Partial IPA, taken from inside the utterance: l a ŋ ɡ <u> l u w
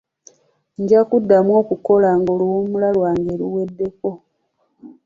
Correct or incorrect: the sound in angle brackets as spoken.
incorrect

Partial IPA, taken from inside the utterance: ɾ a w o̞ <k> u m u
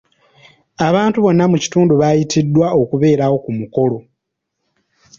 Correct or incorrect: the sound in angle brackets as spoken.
correct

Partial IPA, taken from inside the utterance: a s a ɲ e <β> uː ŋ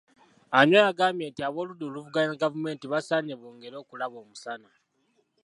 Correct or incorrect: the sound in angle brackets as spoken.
correct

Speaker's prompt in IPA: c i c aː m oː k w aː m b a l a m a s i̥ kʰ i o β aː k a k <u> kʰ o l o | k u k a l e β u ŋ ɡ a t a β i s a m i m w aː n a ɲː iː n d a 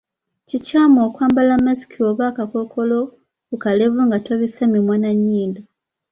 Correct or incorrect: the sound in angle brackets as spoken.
incorrect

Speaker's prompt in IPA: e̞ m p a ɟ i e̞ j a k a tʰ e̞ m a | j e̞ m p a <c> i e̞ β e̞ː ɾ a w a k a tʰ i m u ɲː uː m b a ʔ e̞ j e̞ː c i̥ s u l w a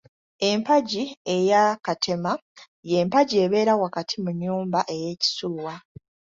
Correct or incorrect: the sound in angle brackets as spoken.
incorrect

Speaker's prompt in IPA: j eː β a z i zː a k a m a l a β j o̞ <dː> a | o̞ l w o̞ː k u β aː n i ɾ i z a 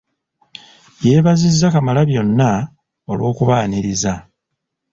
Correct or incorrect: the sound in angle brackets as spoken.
incorrect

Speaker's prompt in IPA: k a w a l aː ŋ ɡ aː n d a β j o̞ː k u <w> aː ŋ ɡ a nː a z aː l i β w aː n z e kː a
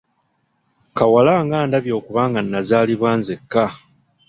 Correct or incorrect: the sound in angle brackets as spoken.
incorrect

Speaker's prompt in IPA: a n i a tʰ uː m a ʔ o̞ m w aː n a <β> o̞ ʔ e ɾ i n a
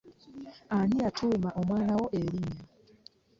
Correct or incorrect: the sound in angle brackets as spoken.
incorrect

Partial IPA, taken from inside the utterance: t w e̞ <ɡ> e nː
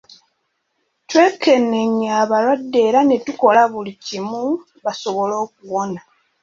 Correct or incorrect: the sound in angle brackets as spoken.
incorrect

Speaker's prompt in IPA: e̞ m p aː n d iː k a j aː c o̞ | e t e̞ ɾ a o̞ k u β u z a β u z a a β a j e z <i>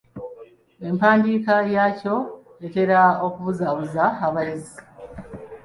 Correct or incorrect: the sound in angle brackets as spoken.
correct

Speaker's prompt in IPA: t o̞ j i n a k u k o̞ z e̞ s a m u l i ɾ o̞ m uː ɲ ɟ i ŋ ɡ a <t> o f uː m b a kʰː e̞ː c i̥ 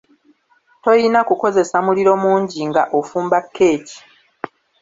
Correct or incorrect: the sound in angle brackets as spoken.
incorrect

